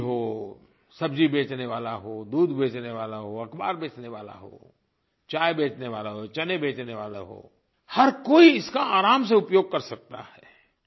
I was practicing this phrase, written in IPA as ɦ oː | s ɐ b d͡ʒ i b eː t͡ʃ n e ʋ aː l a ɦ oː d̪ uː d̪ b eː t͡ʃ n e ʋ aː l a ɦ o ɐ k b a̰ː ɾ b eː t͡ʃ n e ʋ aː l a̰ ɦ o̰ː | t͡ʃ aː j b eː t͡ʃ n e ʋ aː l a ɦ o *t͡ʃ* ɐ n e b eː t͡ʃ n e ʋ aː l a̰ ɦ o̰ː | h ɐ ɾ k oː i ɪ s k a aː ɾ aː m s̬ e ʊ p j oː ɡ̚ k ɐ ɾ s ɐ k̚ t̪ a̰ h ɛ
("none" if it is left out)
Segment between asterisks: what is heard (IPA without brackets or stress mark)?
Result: t͡ʃ